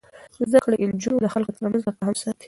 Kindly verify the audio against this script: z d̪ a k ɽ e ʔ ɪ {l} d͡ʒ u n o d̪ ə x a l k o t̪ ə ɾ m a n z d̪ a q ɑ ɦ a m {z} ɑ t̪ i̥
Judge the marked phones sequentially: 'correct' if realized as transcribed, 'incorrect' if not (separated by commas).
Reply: correct, incorrect